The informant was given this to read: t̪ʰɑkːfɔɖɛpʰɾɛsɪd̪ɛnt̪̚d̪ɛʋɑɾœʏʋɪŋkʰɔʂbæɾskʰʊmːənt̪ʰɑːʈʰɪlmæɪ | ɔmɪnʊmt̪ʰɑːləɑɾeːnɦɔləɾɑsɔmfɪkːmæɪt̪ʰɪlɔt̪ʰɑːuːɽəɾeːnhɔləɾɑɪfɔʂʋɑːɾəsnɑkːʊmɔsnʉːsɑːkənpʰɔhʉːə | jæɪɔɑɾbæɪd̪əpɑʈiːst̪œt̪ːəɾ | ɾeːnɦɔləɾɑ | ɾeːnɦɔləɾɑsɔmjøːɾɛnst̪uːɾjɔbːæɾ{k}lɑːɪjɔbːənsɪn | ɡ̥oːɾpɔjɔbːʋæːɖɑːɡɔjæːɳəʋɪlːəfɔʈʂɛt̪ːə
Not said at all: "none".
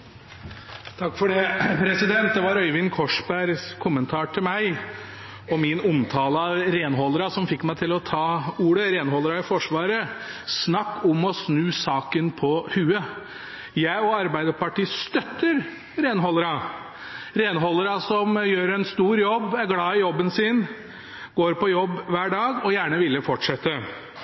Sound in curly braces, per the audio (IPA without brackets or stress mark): ɡ